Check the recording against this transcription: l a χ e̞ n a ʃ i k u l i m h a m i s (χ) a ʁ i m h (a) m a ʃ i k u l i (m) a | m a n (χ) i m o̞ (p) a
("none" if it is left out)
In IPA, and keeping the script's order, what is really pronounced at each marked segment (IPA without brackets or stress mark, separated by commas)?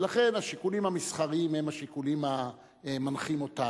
χ, e, m, χ, t